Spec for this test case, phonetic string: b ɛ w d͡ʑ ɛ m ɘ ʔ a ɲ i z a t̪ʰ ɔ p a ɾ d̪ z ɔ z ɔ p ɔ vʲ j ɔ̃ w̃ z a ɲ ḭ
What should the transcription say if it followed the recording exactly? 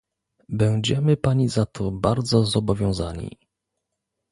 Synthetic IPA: b ɛ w d͡ʑ ɛ m ɘ p a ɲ i z a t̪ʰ ɔ b a ɾ d̪ z ɔ z ɔ b ɔ vʲ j ɔ̃ w̃ z a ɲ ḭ